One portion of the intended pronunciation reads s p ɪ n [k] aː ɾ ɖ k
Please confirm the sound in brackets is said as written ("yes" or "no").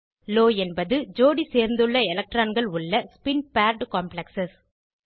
no